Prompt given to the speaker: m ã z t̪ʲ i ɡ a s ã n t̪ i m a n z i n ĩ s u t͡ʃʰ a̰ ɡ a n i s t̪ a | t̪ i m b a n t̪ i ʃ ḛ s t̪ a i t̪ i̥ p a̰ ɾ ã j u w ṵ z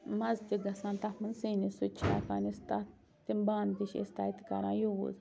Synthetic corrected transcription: m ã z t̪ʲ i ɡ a s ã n t̪ a m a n s i n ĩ s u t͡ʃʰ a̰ k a n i s t̪ a | t̪ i m b a n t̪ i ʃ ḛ s t̪ a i t̪ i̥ k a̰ ɾ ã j u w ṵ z